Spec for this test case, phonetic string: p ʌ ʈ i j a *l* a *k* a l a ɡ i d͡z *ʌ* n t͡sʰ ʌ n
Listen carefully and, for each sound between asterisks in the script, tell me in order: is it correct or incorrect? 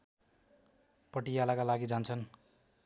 correct, correct, incorrect

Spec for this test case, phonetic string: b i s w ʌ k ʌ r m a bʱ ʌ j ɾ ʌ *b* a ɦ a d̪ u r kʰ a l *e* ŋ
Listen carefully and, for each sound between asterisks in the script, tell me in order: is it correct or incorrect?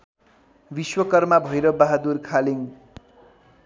correct, incorrect

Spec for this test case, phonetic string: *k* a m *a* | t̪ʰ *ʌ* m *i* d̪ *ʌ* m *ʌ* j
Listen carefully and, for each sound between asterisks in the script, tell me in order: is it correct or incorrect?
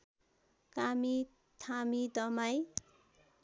correct, incorrect, incorrect, correct, correct, incorrect

